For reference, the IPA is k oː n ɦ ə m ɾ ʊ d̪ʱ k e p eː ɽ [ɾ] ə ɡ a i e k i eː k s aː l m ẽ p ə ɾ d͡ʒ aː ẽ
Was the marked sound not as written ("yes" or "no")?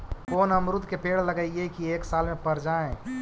yes